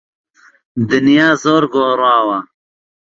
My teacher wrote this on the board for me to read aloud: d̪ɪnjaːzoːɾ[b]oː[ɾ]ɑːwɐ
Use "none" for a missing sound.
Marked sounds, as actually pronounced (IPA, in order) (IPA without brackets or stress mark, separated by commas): ɡ, ɾ